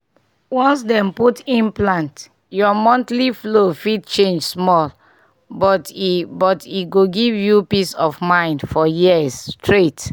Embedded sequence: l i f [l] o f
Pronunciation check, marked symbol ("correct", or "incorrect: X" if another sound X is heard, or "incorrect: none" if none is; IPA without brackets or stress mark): correct